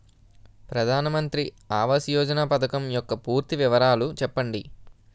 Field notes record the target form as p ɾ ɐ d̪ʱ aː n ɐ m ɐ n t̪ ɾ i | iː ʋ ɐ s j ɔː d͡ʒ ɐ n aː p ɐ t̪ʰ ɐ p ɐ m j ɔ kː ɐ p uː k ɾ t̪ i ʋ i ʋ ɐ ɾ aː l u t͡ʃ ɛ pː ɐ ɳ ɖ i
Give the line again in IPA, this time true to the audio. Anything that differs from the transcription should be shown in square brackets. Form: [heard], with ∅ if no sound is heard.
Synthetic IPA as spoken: p ɾ ɐ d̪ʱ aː n ɐ m ɐ n t̪ ɾ i | [aː] ʋ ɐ s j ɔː d͡ʒ ɐ n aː p ɐ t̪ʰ ɐ [k] ɐ m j ɔ kː ɐ p uː [∅] ɾ t̪ i ʋ i ʋ ɐ ɾ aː l u t͡ʃ ɛ pː ɐ ɳ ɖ i